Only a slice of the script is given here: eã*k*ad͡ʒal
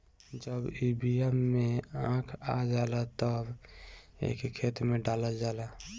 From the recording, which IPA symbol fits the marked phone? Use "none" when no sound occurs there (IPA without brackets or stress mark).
kʰ